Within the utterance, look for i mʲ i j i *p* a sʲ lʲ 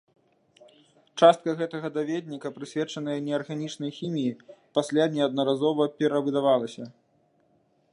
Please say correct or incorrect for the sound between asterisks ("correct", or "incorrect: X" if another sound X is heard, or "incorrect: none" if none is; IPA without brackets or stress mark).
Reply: correct